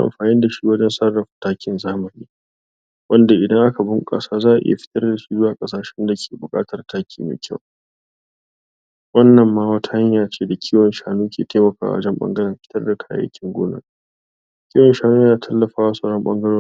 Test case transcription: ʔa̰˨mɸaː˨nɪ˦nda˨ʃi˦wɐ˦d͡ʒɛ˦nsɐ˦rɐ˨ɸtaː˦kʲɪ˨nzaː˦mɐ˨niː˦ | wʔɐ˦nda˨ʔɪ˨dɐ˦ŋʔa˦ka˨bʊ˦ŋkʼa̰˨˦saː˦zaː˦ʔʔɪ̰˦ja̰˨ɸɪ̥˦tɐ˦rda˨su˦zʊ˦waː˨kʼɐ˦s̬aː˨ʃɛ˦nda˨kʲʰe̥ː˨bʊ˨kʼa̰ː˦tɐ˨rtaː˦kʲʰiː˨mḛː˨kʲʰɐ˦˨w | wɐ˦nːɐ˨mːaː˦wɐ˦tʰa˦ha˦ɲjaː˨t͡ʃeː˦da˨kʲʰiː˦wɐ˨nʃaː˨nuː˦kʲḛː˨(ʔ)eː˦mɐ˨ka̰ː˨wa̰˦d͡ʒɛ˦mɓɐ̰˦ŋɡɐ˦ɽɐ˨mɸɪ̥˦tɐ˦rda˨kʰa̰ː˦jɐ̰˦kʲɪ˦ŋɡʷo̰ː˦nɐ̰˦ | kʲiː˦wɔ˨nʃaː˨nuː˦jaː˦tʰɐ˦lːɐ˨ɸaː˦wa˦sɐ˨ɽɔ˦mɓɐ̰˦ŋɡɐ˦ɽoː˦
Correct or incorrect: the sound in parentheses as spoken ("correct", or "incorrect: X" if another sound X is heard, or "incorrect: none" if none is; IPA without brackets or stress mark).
incorrect: t